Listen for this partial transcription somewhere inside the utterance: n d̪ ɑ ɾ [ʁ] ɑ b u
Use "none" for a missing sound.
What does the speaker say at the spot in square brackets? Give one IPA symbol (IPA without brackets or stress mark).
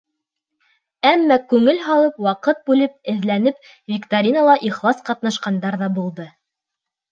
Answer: ð